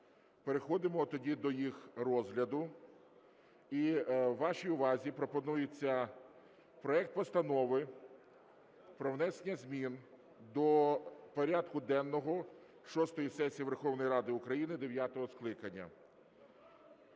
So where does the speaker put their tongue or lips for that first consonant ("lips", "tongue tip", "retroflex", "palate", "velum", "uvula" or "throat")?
lips